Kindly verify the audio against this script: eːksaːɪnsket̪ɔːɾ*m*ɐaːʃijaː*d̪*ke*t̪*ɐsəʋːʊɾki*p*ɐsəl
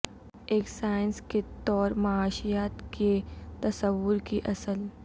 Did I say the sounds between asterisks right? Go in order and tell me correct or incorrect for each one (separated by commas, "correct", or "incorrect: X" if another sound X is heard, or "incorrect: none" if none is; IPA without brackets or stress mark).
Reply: correct, incorrect: t̪, correct, incorrect: ʔ